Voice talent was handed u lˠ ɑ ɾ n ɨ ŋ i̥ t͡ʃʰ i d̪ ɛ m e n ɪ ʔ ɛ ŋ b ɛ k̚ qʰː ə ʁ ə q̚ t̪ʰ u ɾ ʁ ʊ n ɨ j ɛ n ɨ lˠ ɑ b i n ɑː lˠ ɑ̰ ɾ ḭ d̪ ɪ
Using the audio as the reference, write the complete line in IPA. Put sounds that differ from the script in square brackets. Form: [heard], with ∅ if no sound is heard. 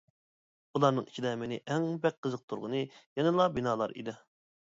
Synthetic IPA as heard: u lˠ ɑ ɾ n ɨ ŋ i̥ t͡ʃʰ i d̪ ɛ m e n ɪ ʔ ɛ ŋ b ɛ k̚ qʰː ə [z] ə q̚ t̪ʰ u ɾ ʁ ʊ n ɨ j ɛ n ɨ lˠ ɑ b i n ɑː lˠ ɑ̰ ɾ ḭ d̪ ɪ